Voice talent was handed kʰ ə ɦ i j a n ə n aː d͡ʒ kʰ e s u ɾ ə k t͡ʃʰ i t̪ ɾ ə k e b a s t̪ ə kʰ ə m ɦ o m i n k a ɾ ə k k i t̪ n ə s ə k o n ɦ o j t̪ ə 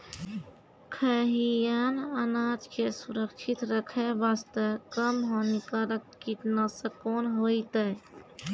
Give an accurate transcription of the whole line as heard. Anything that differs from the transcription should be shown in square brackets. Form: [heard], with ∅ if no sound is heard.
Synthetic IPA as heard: kʰ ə ɦ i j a n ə n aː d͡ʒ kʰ e s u ɾ ə k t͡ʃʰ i t̪ ɾ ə [kʰ] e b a s t̪ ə [k] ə m ɦ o [n] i [∅] k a ɾ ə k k i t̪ n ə s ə k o n ɦ o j t̪ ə

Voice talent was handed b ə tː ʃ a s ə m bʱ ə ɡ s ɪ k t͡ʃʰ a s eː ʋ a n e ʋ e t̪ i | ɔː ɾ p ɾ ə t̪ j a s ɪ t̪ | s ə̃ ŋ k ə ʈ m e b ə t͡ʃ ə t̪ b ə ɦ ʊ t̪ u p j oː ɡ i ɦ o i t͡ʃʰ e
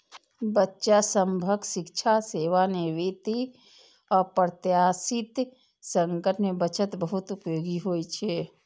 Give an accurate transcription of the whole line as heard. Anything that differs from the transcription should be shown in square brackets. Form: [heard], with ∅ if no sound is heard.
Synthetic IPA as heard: b ə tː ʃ a s ə m bʱ ə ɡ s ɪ k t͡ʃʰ a s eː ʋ a n e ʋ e t̪ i | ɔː ɾ p ɾ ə t̪ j a s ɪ t̪ | s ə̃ ŋ k ə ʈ m e b ə t͡ʃ ə t̪ b ə ɦ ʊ t̪ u p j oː ɡ i ɦ o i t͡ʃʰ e

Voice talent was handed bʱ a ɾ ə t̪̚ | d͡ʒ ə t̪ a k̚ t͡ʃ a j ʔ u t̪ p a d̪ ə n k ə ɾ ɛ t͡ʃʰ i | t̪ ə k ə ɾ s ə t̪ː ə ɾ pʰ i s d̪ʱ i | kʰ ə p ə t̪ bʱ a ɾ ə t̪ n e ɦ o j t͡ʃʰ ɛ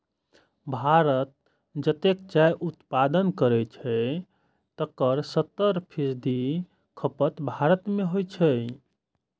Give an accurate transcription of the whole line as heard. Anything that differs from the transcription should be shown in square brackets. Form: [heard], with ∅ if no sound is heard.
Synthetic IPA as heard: bʱ a ɾ ə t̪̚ | d͡ʒ ə t̪ [e] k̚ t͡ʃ a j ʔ u t̪ p a d̪ ə n k ə ɾ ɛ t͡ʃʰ [ɛ] | t̪ ə k ə ɾ s ə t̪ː ə ɾ pʰ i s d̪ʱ i | kʰ ə p ə t̪ bʱ a ɾ ə t̪ [m] e ɦ o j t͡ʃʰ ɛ

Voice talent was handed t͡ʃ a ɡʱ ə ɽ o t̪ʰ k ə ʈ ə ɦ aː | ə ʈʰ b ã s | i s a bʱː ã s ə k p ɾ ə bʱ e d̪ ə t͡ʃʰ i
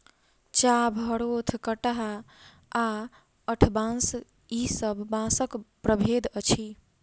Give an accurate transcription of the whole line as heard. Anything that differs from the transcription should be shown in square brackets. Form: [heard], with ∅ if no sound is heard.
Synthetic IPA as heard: t͡ʃ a [bʱ] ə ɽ o t̪ʰ k ə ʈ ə ɦ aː | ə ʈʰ b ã s | i s [ə] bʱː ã s ə k p ɾ ə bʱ e d̪ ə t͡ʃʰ i

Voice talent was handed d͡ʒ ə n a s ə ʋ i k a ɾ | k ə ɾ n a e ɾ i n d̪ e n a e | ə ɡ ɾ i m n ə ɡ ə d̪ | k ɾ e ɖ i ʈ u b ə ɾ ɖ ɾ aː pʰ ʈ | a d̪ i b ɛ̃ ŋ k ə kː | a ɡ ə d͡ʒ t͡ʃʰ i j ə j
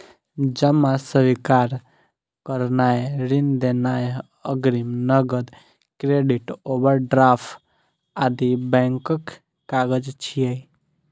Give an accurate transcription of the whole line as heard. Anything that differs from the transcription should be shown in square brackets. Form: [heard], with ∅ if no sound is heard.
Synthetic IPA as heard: d͡ʒ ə [m] a s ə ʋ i k a ɾ | k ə ɾ n a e ɾ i n d̪ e n a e | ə ɡ ɾ i m n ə ɡ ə d̪ | k ɾ e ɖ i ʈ [o] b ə ɾ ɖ ɾ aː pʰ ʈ | a d̪ i b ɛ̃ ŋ k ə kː | a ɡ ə d͡ʒ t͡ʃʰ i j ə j

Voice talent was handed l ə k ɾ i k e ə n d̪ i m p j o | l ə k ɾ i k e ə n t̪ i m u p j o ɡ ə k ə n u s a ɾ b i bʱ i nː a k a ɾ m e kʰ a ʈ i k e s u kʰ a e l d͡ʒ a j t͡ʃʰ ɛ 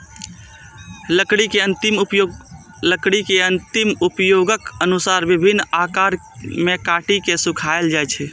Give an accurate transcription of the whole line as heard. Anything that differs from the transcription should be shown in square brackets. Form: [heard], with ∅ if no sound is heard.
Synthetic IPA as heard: l ə k [ɽ] i k e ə n [t̪] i m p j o | l ə k [ɽ] i k e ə n t̪ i m u p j o ɡ ə k ə n u s a ɾ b i bʱ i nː a k a ɾ m e [k] a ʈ i k e s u kʰ a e l d͡ʒ a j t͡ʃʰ ɛ

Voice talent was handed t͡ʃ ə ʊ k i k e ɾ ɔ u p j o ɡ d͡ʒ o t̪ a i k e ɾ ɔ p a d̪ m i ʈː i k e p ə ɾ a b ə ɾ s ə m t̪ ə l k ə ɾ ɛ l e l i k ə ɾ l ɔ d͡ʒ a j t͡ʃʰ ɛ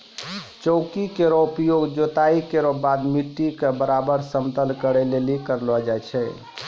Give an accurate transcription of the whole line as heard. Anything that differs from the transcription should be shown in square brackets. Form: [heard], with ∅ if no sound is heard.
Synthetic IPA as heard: t͡ʃ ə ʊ k i k e ɾ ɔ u p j o ɡ d͡ʒ o t̪ a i k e ɾ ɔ [b] a d̪ m i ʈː i k e [b] ə ɾ a b ə ɾ s ə m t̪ ə l k ə ɾ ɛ l e l i k ə ɾ l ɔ d͡ʒ a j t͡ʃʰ ɛ

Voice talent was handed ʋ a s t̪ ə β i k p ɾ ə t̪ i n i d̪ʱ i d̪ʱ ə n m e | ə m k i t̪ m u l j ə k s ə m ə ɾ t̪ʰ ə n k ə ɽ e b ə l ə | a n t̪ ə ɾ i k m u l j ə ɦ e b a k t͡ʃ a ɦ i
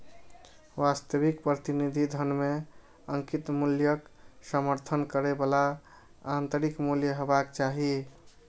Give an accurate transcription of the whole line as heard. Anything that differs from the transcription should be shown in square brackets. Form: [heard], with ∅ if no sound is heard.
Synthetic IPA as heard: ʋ a s t̪ ə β i k p ɾ ə t̪ i n i d̪ʱ i d̪ʱ ə n m e | ə [ŋ] k i t̪ m u l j ə k s ə m ə ɾ t̪ʰ ə n k ə [ɾ] e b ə l [a] | a n t̪ ə ɾ i k m u l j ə ɦ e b a k t͡ʃ a ɦ i

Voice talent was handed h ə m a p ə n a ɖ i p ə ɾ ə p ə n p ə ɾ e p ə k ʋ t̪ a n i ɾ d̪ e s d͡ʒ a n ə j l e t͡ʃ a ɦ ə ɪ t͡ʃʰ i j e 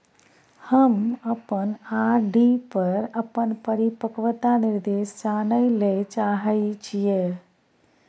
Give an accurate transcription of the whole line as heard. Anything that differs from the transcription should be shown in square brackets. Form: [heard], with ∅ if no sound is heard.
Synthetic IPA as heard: h ə m [ə] p ə n a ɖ i p ə ɾ ə p ə n p ə ɾ [i] p ə k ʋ t̪ a n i ɾ d̪ e s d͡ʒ a n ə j l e t͡ʃ a ɦ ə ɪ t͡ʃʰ i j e

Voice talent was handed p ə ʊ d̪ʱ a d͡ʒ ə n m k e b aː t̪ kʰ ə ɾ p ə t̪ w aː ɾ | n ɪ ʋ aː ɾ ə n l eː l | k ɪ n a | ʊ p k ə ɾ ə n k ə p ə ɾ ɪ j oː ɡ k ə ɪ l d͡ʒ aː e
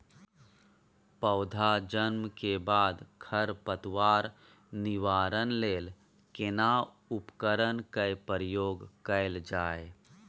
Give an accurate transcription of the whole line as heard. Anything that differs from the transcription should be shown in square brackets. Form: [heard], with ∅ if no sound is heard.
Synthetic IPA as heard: p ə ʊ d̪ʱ a d͡ʒ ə n m k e b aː [d̪] kʰ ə ɾ p ə t̪ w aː ɾ | n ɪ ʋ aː ɾ ə n l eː l | k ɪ n a | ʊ p k ə ɾ ə n k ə p ə ɾ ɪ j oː ɡ k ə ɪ l d͡ʒ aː e

